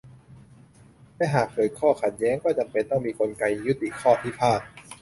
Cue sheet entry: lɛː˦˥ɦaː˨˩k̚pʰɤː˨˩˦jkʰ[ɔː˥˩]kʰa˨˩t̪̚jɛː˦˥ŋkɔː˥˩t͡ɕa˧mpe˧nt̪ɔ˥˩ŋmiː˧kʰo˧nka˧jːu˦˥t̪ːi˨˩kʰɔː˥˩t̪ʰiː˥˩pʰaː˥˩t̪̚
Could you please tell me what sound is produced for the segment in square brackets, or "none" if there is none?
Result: ɔː˥˩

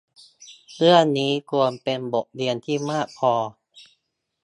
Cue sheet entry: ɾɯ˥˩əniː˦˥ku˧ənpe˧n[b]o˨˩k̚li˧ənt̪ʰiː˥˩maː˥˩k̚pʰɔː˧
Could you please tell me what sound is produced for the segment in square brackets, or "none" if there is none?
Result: b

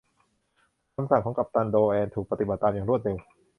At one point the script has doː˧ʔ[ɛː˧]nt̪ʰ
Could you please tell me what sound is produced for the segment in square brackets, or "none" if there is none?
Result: ɛː˧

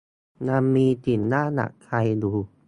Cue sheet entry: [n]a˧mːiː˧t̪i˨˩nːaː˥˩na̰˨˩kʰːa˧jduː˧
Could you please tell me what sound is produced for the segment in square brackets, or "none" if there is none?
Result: n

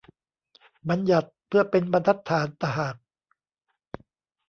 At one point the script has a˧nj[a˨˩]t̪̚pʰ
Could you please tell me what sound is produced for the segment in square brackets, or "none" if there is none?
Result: a˨˩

